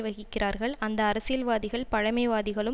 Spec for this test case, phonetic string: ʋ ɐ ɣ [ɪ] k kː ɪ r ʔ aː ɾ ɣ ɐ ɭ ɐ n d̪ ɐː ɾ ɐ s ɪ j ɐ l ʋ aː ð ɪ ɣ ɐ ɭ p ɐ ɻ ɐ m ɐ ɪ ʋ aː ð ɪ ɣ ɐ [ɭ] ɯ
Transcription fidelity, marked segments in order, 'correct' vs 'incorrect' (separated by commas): correct, correct